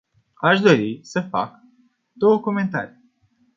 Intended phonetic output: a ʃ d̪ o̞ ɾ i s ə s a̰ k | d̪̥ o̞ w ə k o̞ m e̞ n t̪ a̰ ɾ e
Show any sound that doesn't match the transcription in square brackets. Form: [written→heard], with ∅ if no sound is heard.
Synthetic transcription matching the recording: a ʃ d̪ o̞ ɾ i s ə [s→f] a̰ k | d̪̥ o̞ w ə k o̞ m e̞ n t̪ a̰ ɾ [e→i]